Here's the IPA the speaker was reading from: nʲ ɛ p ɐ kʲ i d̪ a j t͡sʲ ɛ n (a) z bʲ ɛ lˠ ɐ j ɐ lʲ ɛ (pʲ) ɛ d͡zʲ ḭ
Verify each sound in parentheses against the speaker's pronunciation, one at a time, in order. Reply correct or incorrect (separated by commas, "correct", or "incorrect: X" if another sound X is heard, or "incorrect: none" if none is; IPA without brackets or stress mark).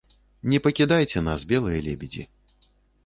correct, incorrect: bʲ